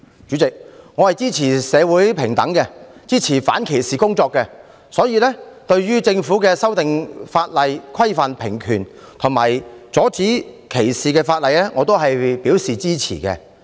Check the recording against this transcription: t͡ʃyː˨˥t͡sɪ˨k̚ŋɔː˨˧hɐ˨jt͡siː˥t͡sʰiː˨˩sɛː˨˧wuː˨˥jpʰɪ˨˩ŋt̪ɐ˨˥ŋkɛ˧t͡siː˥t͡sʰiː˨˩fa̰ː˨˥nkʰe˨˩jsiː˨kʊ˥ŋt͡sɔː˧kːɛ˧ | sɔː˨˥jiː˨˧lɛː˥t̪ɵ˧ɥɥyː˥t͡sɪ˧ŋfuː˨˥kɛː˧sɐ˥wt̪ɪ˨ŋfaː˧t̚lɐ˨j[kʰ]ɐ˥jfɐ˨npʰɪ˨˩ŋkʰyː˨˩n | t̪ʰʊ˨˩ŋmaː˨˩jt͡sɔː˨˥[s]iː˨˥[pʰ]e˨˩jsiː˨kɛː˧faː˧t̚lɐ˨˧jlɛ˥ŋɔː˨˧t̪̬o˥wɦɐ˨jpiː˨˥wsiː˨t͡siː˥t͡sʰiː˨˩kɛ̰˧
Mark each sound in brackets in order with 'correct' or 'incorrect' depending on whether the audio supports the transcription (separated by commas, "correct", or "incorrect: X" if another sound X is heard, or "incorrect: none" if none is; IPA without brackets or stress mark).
correct, incorrect: t͡s, incorrect: kʰ